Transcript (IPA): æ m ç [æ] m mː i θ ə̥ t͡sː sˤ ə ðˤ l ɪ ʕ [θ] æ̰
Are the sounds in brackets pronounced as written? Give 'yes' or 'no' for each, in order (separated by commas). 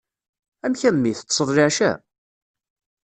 yes, no